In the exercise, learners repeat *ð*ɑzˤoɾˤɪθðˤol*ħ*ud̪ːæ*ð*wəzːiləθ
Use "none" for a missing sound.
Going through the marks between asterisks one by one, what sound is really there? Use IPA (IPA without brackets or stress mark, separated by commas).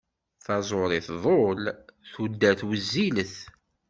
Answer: θ, θ, θ